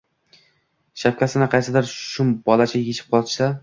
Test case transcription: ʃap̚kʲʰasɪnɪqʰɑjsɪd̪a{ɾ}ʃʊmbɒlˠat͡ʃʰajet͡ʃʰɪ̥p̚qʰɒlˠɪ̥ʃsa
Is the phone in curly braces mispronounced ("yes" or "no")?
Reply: no